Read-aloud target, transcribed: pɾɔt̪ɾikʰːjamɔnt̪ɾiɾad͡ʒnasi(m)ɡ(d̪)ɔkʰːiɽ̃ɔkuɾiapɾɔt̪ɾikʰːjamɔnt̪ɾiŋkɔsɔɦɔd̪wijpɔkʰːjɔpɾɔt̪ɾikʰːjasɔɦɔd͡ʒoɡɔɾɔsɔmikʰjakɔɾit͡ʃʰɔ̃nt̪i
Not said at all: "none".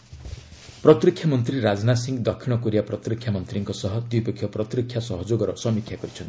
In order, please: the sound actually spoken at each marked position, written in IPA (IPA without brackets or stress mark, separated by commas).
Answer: ŋ, d̪